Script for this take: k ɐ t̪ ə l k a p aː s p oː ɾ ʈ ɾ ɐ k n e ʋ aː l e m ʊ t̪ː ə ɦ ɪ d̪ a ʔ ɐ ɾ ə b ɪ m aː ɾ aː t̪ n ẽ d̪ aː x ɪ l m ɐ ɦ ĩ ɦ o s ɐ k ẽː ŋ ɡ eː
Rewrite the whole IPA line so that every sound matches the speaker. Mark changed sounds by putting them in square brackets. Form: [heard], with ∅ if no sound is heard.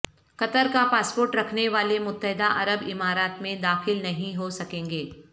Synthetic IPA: k ɐ t̪ ə [ɾ] k a p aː s p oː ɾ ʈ ɾ ɐ [kʰ] n e ʋ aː l e m ʊ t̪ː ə ɦ ɪ d̪ a ʔ ɐ ɾ ə b ɪ m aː ɾ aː t̪ [m] ẽ d̪ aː x ɪ l [n] ɐ ɦ ĩ ɦ o s ɐ k ẽː ŋ ɡ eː